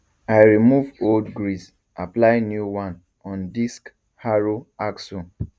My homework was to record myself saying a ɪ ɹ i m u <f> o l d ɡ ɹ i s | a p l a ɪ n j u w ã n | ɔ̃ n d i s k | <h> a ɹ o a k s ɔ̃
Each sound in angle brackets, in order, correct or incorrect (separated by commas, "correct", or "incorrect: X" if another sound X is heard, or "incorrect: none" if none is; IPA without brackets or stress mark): incorrect: v, correct